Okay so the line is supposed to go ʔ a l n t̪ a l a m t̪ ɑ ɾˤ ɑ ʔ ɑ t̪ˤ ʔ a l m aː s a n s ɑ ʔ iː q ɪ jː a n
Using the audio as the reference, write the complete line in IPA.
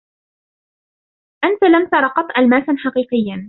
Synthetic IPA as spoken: ʔ a n t̪ a l a m t̪ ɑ ɾˤ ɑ q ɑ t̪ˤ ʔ a l m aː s a n ħ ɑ q iː q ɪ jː a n

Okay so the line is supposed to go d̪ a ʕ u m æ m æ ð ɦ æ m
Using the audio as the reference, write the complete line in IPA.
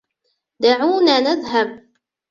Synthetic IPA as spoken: d̪ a ʕ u n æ n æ ð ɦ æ b

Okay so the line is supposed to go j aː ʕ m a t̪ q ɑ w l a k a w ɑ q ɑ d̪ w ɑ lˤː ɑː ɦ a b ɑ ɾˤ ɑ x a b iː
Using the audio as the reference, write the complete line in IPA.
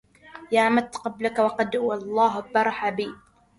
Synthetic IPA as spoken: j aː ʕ m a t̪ q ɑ b l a k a w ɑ q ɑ d̪ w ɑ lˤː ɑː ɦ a b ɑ ɾˤ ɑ ħ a b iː

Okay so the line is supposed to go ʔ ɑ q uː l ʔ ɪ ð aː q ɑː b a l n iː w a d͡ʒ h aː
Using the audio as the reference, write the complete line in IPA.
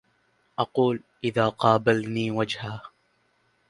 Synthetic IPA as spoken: ʔ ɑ q uː l ʔ ɪ ð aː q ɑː b a l n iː w a d͡ʒ h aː

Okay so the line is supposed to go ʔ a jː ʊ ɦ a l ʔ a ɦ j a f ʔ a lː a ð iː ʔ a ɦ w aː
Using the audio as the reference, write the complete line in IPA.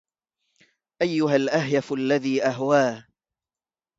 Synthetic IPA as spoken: ʔ a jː ʊ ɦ a l ʔ a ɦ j a f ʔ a lː a ð iː ʔ a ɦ w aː

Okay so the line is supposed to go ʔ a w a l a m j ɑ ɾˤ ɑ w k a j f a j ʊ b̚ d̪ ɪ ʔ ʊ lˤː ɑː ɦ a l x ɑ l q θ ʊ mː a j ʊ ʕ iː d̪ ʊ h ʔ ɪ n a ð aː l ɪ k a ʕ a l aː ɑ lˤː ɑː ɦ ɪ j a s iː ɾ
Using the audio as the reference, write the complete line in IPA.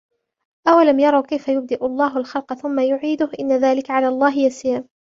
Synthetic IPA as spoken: ʔ a w a l a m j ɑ ɾˤ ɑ w k a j f a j ʊ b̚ d̪ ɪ ʔ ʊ lˤː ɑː ɦ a l x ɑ l q θ ʊ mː a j ʊ ʕ iː d̪ ʊ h ʔ ɪ nː a ð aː l ɪ k a ʕ a l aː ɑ lˤː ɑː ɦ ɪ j a s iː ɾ

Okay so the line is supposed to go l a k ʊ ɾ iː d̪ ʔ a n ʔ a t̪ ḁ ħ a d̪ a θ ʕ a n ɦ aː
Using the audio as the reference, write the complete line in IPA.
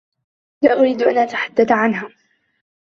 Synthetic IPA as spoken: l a ʔ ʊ ɾ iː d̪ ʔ a n ʔ a t̪ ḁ ħ a d̪ː a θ ʕ a n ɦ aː

